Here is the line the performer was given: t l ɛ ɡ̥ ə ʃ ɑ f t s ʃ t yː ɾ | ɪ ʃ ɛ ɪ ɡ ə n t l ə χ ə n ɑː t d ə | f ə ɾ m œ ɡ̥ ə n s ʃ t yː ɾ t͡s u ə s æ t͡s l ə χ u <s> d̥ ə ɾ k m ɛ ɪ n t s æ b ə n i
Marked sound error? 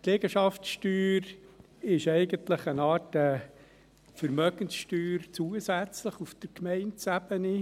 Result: yes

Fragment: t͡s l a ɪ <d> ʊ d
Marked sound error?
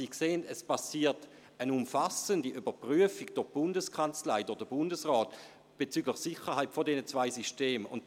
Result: no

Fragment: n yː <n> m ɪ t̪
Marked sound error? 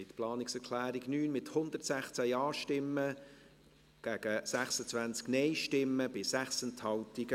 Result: no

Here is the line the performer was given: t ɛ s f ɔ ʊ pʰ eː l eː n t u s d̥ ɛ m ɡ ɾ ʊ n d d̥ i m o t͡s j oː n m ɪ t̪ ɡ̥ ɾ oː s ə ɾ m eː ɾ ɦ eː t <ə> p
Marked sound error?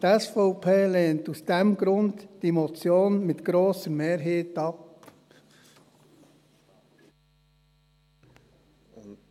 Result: yes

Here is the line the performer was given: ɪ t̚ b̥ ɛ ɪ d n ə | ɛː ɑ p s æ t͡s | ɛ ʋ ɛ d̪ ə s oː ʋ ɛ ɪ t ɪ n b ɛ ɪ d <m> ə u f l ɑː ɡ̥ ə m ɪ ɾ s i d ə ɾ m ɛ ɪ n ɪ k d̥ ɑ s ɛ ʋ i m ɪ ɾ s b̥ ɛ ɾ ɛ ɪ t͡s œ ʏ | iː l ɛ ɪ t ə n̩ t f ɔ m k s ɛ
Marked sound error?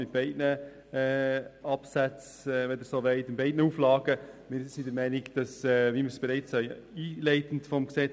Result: yes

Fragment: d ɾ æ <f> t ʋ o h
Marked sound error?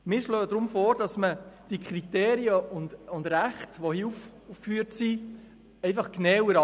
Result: yes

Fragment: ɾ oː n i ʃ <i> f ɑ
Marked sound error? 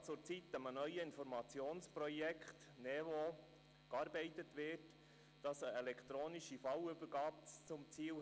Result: no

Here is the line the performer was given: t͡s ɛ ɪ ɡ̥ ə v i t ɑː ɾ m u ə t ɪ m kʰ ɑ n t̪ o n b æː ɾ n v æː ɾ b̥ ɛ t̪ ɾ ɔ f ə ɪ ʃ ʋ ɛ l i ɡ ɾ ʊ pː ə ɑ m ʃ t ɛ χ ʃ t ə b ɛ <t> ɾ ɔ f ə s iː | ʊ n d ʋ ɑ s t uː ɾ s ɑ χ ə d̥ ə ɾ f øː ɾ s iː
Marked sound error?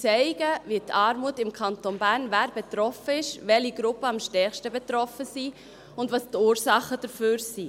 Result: no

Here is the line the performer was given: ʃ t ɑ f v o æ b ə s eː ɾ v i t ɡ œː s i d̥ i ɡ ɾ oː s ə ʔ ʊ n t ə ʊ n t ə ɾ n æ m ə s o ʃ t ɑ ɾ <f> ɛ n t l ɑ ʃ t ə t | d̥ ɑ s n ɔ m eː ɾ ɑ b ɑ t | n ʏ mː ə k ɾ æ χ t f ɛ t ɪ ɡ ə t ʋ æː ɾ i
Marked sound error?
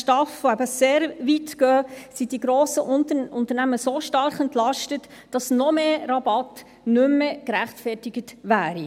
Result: yes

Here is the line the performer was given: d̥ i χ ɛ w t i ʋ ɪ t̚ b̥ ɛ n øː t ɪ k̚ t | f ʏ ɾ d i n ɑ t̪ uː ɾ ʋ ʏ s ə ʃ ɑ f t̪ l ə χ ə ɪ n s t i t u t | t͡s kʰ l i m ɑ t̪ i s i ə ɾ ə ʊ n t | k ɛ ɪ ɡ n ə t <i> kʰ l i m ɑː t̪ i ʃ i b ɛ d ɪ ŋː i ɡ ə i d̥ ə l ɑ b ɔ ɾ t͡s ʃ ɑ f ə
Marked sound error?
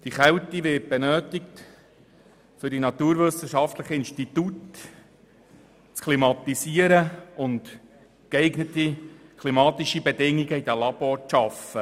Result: no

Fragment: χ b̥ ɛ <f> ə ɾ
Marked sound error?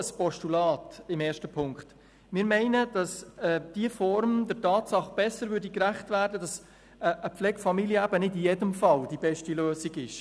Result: yes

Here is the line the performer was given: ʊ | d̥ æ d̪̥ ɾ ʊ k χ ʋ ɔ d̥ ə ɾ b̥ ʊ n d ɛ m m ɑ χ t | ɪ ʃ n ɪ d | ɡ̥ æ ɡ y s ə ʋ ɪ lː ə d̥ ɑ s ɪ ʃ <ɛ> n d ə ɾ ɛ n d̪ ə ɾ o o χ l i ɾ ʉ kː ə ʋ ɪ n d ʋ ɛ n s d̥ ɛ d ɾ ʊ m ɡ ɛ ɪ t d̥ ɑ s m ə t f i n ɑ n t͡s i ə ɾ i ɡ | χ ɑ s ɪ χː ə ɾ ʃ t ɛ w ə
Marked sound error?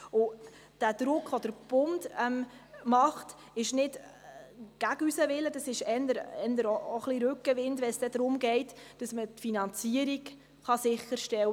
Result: no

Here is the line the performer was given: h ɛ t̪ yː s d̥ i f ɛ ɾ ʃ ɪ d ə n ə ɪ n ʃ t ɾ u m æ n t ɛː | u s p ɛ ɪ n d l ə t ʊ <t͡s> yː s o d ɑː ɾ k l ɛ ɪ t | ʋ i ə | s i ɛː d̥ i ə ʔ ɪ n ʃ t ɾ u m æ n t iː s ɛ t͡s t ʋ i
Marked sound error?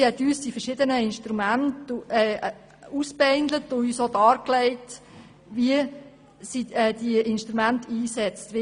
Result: yes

